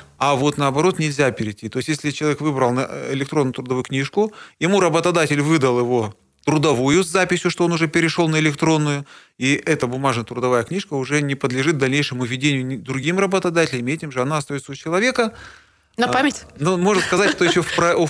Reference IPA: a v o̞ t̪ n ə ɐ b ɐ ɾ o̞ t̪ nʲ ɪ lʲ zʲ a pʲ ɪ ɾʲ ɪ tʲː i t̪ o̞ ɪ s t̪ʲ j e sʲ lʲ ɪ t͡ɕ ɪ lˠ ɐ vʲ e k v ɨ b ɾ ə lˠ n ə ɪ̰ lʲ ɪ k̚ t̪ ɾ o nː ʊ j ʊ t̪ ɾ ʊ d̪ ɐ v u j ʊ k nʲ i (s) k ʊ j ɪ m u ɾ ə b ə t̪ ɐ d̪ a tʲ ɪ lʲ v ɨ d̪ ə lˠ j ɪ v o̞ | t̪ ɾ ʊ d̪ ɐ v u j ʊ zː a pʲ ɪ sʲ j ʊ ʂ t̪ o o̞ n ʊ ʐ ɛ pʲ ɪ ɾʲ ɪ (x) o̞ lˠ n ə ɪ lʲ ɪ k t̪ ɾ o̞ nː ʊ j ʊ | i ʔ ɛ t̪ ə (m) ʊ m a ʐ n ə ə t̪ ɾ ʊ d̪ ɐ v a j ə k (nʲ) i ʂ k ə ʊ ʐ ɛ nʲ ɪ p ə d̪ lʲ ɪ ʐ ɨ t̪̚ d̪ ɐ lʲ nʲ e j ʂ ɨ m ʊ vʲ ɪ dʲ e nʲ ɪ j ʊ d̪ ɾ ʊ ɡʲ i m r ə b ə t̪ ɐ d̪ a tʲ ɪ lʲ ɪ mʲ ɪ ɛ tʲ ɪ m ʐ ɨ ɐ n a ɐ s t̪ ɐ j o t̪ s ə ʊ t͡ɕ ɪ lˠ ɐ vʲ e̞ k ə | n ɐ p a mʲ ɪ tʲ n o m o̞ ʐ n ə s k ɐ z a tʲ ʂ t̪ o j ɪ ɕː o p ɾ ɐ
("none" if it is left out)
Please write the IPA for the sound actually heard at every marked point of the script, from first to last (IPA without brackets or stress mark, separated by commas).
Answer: ʂ, ʂ, b, nʲ